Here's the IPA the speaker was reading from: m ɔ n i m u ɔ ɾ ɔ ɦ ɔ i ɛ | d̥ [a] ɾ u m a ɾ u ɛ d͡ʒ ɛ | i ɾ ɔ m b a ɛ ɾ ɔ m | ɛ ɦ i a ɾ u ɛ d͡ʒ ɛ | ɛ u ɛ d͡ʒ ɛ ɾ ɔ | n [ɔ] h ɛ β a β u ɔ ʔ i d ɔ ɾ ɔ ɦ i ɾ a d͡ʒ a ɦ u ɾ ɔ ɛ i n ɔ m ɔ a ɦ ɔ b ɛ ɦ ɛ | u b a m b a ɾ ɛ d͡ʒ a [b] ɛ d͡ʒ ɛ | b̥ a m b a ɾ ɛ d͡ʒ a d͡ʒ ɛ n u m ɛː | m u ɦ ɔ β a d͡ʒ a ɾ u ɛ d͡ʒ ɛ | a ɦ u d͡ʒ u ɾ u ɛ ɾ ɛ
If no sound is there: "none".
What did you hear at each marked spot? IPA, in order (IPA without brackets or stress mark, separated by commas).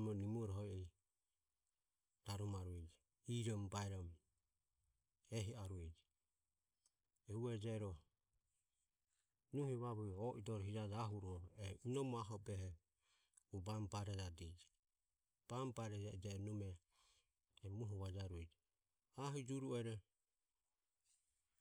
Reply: a, u, d